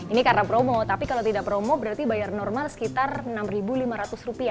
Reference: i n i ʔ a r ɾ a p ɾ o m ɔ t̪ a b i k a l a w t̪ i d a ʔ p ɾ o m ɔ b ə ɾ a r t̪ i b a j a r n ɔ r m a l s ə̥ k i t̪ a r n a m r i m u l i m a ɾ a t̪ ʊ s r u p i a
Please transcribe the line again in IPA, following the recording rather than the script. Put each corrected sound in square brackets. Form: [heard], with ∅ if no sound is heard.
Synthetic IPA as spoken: i n i [k] a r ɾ a p ɾ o m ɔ t̪ a [p] i k a l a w t̪ i d a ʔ p ɾ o m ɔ b ə ɾ a r t̪ i b a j a r n ɔ r m a l s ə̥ k i t̪ a r n a m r i [b] u l i m a ɾ a t̪ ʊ s r u p i a